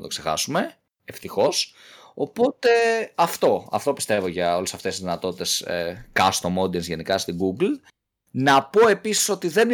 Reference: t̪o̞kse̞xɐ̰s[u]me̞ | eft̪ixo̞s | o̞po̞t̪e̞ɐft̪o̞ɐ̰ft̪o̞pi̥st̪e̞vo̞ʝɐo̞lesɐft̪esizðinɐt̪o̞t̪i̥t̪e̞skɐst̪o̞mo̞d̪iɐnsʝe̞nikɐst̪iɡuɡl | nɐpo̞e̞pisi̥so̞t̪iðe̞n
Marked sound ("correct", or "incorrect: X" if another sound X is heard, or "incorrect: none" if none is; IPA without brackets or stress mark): correct